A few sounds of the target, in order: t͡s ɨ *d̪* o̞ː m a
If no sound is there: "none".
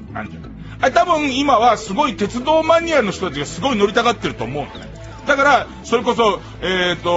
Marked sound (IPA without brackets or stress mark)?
d̪